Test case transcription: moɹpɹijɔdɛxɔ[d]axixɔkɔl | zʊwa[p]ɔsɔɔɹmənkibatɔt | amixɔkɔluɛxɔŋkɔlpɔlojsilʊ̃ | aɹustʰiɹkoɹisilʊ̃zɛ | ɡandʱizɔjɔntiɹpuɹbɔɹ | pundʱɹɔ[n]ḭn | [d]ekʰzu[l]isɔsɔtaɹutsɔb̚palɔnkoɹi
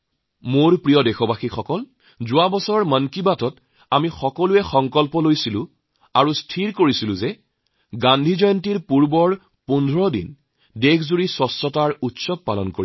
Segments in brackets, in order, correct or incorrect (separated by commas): incorrect, incorrect, incorrect, correct, incorrect